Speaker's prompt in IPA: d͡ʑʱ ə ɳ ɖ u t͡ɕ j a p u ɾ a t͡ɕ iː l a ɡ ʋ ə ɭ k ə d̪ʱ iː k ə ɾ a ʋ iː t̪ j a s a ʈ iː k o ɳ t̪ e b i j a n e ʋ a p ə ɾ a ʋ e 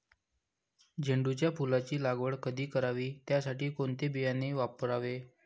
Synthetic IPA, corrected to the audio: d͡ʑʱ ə ɳ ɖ u t͡ɕ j a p u l a t͡ɕ iː l a ɡ ʋ ə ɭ k ə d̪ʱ iː k ə ɾ a ʋ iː t̪ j a s a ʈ iː k o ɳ t̪ e b i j a n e ʋ a p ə ɾ a ʋ e